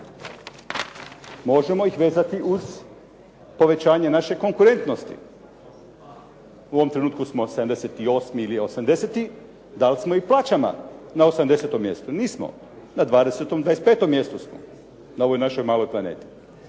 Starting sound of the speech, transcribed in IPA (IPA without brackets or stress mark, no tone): m